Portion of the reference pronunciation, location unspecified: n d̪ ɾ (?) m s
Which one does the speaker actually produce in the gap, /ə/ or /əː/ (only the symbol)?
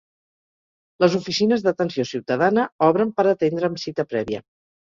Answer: əː